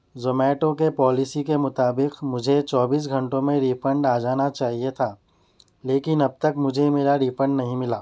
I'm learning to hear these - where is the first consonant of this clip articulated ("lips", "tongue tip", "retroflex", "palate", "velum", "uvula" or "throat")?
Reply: tongue tip